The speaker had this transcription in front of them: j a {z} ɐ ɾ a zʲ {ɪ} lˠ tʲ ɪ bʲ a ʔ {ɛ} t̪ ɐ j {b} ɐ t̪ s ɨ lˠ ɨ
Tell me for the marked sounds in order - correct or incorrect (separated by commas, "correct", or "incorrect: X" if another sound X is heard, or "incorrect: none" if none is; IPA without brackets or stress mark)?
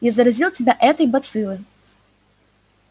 correct, incorrect: i, correct, correct